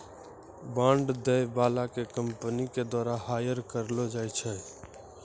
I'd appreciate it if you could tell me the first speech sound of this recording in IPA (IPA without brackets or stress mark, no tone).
b